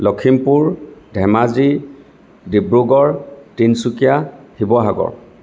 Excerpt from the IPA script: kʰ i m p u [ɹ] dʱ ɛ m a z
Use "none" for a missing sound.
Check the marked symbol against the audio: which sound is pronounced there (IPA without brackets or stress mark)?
ɹ